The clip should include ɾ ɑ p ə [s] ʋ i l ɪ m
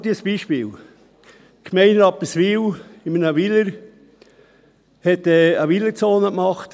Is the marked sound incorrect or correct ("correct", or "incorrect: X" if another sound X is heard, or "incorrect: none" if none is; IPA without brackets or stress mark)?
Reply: correct